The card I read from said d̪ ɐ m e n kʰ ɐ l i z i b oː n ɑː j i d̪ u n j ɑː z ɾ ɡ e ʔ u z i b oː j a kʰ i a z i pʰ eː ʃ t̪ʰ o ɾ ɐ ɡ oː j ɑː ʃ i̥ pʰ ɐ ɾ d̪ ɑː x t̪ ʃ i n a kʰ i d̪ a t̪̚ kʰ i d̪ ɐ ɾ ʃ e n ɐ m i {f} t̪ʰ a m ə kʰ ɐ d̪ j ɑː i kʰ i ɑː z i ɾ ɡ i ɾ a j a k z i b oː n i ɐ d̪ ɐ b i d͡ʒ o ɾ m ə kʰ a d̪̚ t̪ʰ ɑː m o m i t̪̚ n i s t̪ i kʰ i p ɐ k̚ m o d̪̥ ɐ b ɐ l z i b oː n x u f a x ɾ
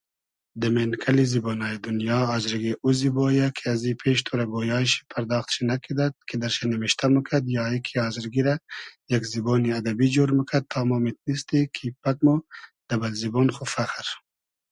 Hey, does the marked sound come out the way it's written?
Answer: no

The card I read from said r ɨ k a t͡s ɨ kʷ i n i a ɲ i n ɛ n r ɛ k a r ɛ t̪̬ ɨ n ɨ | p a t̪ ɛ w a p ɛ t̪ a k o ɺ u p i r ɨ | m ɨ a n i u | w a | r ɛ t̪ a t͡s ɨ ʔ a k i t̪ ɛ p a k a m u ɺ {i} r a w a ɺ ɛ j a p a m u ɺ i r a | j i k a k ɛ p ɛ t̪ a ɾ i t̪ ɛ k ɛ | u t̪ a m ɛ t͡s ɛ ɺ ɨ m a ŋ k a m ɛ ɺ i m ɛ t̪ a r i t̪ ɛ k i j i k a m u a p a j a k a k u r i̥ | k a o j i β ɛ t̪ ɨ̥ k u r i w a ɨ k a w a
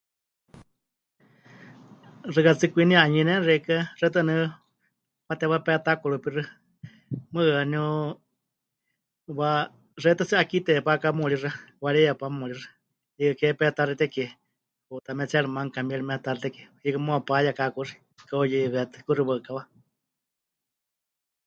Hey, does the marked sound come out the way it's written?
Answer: yes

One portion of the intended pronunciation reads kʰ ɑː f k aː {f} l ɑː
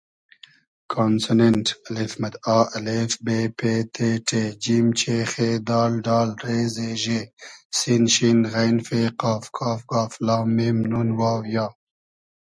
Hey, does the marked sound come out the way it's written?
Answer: yes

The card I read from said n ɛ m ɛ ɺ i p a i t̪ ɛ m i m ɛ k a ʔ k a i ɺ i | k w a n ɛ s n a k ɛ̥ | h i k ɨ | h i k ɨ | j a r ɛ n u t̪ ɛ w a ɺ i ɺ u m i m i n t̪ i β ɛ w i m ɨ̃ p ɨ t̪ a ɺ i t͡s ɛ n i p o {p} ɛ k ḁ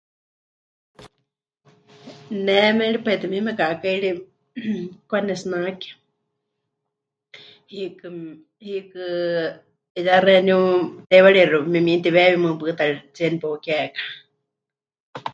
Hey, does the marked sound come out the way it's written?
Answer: no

